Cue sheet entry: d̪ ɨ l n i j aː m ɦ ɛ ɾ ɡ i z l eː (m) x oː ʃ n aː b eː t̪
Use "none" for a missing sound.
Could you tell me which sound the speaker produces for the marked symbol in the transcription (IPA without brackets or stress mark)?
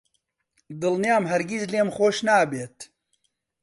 m